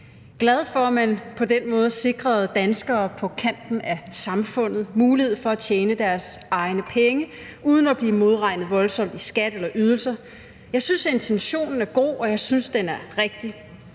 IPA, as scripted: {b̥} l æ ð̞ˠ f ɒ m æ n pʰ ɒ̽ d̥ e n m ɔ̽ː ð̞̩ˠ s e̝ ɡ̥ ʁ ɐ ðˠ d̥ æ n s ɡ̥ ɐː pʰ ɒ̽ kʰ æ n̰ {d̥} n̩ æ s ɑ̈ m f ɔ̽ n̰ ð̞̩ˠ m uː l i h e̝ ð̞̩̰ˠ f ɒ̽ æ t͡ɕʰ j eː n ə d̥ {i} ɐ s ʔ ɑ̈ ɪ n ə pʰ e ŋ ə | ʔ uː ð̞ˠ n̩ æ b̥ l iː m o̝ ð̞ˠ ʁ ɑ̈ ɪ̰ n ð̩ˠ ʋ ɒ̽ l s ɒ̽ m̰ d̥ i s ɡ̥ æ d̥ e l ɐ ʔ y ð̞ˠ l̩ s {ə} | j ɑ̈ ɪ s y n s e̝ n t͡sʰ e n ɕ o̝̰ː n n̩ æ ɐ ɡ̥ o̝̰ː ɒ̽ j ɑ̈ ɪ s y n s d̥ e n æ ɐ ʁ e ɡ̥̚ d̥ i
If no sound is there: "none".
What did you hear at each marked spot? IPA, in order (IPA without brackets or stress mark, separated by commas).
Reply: ɡ̥, d̥, æ, ɐ